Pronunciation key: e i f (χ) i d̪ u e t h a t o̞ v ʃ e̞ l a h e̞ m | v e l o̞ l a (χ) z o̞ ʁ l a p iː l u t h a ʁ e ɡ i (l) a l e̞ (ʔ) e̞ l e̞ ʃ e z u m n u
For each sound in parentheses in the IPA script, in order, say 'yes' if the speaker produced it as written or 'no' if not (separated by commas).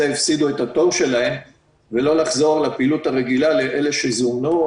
no, yes, yes, yes